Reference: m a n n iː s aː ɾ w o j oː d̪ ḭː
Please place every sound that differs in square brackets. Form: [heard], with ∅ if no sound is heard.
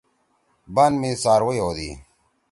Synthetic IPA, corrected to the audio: [b] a n [m] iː s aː ɾ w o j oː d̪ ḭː